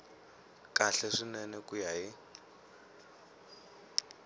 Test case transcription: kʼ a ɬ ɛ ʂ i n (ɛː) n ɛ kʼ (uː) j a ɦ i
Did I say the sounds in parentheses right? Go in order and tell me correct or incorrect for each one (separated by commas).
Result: incorrect, incorrect